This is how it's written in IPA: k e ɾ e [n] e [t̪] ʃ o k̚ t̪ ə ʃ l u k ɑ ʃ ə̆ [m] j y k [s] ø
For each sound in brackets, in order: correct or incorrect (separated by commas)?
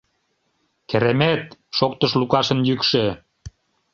incorrect, correct, incorrect, incorrect